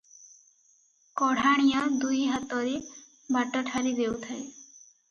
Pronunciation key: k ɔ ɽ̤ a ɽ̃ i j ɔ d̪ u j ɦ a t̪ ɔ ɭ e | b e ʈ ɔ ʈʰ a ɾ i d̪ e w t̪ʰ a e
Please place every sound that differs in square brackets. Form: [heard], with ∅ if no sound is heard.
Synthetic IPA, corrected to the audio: k ɔ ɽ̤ a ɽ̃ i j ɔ d̪ u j ɦ a t̪ ɔ [ɾ] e | b [a] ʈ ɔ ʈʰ a ɾ i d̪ e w t̪ʰ a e